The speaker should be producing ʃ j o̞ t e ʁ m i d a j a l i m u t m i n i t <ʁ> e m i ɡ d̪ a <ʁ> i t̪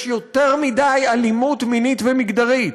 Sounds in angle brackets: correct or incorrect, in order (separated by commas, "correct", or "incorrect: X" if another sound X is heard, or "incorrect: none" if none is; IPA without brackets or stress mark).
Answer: incorrect: v, correct